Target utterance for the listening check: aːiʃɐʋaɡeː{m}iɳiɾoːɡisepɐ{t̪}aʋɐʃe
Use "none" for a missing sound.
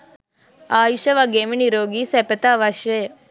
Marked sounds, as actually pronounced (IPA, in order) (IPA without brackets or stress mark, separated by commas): m, t̪